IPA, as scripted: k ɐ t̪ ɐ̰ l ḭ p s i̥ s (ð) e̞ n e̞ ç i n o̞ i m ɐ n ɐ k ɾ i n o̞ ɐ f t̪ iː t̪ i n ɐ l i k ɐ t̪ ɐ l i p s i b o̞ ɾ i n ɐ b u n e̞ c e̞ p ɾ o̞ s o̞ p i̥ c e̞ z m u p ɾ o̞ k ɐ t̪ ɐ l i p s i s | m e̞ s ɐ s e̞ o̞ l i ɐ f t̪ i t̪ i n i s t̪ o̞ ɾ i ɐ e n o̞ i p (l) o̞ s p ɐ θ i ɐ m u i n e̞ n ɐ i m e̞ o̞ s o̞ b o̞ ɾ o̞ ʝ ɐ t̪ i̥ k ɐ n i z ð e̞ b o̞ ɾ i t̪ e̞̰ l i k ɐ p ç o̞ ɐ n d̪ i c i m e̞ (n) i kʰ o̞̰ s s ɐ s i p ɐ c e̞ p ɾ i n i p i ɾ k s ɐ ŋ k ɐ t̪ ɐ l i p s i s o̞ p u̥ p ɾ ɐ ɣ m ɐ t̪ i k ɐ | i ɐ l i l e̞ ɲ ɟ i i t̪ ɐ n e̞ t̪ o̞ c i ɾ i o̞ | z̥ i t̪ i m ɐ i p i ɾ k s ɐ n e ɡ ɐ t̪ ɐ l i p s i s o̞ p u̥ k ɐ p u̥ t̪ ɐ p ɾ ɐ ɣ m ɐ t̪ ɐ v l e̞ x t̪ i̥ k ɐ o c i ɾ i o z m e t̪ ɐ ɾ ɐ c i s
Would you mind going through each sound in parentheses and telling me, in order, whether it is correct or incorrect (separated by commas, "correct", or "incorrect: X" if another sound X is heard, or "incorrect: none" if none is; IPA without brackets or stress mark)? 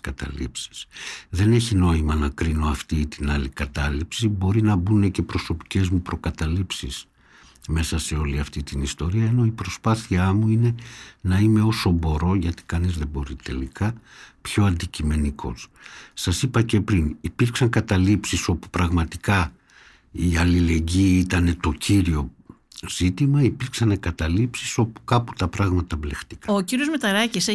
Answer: correct, incorrect: ɾ, correct